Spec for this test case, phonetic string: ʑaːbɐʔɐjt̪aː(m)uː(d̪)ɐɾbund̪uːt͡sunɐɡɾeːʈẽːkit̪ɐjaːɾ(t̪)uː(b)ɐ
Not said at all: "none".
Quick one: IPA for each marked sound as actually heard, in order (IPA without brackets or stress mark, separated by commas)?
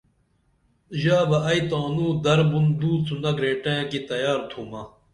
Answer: n, d̪, t̪ʰ, m